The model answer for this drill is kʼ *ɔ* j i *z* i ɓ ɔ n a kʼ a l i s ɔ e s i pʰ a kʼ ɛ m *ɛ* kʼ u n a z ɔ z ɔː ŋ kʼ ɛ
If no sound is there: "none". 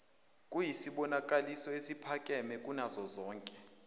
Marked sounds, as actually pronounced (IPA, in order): u, s, ɛ

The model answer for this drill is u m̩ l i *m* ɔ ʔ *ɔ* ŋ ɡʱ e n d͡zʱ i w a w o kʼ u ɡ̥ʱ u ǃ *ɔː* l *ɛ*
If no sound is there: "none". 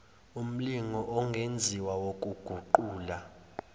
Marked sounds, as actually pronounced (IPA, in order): ŋ, ɔ, uː, a

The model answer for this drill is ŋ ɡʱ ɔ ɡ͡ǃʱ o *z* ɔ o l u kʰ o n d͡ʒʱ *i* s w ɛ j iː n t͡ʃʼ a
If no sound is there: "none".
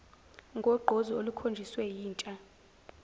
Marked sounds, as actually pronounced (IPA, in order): z, i

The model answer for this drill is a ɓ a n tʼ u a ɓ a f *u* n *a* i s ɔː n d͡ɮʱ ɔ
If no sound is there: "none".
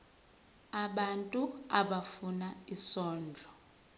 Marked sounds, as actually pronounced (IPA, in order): u, a

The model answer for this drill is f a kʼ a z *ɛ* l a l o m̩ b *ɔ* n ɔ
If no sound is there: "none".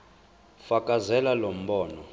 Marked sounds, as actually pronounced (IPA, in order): ɛ, ɔː

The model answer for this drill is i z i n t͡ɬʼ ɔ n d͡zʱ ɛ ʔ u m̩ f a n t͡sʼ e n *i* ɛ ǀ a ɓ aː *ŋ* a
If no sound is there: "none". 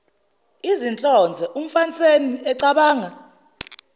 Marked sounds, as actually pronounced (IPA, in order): i, ŋ

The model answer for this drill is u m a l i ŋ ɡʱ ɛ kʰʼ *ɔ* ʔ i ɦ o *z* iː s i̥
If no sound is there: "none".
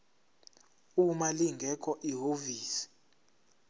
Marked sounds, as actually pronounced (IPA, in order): ɔ, v

